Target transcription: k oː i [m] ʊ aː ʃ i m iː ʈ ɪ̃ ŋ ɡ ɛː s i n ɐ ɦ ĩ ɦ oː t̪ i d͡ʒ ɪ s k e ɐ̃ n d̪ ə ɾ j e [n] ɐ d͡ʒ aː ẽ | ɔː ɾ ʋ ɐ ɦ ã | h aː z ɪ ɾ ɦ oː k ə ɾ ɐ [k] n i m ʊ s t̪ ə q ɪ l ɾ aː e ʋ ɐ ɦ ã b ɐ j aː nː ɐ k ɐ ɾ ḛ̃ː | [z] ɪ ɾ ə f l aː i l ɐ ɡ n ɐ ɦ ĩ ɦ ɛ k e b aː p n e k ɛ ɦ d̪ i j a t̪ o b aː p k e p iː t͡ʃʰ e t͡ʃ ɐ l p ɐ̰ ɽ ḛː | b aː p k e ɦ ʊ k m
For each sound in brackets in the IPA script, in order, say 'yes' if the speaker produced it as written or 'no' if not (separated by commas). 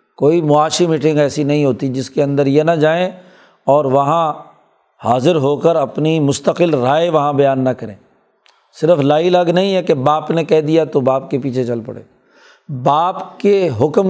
yes, yes, no, no